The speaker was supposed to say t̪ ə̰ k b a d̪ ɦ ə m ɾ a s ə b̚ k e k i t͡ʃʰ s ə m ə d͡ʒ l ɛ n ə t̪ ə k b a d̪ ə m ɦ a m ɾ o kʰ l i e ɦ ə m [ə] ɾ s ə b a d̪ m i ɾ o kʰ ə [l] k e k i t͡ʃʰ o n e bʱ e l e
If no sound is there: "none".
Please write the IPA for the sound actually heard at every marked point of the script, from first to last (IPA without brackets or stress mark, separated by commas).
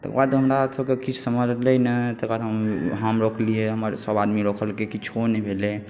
ə, l